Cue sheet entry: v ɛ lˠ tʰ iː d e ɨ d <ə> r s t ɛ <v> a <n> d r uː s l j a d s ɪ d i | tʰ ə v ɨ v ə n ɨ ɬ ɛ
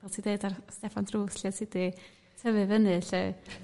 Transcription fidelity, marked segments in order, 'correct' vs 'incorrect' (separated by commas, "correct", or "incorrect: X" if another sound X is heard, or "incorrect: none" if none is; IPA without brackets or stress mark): incorrect: a, incorrect: f, correct